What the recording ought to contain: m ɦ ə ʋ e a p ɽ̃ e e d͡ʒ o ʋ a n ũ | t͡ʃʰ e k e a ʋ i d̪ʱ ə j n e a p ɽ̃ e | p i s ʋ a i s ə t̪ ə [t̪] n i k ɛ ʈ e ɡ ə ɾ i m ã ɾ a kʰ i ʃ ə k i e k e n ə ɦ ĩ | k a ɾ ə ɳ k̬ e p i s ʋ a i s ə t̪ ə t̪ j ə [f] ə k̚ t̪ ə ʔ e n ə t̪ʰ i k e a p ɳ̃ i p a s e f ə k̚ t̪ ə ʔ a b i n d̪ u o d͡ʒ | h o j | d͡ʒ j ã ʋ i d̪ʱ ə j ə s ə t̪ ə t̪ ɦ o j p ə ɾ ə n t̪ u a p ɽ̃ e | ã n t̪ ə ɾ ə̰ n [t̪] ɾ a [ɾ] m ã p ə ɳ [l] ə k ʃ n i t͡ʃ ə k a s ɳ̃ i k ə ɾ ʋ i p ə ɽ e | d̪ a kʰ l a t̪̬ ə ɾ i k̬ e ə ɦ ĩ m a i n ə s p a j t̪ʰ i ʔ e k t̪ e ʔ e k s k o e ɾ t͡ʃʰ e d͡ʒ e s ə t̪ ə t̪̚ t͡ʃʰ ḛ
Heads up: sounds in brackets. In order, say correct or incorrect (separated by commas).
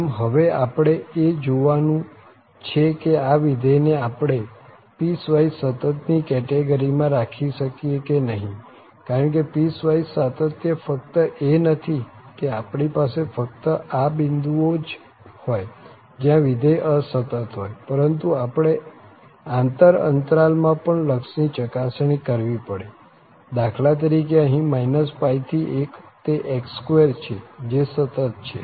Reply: correct, correct, correct, incorrect, correct